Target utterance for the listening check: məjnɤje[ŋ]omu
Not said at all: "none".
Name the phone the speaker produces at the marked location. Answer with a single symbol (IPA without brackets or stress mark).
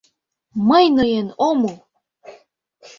n